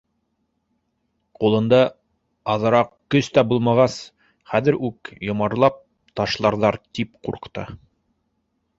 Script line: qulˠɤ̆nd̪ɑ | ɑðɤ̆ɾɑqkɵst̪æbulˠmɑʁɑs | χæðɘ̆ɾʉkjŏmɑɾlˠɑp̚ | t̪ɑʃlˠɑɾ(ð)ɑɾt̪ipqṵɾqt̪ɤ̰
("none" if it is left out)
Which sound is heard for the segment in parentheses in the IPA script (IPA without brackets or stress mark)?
ð